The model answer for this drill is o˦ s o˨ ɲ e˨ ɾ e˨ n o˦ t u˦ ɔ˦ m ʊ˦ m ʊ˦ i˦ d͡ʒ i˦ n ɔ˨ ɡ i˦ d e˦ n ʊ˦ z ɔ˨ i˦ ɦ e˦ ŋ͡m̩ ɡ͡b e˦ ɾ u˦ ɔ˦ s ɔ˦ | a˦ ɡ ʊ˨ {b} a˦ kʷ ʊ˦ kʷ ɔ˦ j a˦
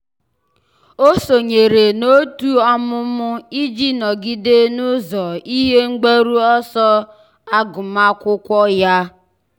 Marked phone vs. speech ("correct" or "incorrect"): incorrect